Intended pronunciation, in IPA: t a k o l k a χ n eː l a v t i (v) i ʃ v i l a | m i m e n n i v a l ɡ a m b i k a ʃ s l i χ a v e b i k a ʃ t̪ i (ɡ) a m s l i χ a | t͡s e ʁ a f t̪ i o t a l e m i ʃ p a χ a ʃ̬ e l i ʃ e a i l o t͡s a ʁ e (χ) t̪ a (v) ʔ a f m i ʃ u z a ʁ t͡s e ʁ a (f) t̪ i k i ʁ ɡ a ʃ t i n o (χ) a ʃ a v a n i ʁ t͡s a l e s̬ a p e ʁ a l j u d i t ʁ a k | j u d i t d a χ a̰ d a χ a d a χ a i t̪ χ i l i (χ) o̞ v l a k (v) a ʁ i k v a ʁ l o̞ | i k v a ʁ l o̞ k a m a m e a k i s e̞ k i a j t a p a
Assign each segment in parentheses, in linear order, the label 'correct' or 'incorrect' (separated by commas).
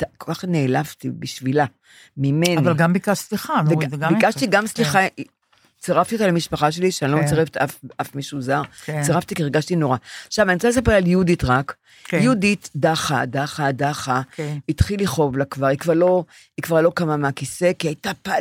incorrect, correct, incorrect, incorrect, correct, incorrect, correct, correct